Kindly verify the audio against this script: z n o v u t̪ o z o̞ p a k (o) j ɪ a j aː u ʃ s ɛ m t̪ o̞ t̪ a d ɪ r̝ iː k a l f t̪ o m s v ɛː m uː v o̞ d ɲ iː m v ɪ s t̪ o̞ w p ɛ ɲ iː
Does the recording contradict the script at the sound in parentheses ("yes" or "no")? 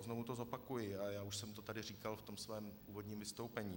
yes